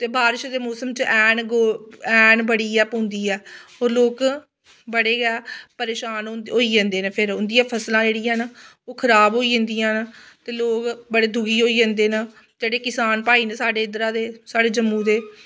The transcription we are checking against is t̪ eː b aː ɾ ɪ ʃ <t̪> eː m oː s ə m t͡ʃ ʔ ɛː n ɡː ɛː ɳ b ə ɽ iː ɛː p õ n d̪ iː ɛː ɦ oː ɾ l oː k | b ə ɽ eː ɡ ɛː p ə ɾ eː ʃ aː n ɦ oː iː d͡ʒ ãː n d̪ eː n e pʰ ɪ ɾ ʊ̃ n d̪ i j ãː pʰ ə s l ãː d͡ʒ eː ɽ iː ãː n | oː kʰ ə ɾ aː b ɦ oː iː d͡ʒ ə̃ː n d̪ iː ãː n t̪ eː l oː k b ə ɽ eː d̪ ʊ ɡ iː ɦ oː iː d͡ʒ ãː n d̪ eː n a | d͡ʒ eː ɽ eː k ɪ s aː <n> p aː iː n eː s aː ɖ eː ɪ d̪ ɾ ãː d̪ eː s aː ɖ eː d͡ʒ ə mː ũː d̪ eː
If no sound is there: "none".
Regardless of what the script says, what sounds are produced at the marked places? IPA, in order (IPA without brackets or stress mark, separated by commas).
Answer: d̪, n